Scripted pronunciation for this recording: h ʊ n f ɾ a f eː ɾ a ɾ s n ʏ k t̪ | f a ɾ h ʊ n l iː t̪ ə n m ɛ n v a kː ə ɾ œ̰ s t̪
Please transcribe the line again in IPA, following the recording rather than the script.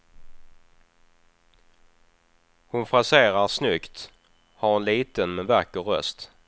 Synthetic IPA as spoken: h ʊ n f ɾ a s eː ɾ a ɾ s n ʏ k t̪ | h a ɾ h ʊ n l iː t̪ ə n m ɛ n v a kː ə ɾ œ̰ s t̪